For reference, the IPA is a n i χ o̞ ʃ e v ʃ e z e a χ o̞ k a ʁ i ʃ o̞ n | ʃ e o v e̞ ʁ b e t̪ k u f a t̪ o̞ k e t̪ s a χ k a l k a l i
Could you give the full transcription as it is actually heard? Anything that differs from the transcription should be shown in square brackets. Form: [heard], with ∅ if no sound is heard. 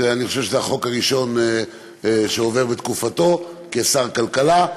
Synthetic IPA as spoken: a n i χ o̞ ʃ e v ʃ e z e a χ o̞ k a ʁ i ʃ o̞ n | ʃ e o v e̞ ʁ b e t̪ k u f a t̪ o̞ k e [∅] s a [ʁ] k a l k a l [a]